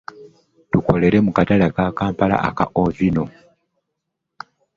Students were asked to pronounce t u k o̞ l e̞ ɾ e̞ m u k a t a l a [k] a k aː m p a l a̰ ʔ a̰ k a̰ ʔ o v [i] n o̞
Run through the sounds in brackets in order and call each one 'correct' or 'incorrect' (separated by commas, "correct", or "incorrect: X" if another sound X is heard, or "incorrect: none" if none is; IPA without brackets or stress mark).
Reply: correct, correct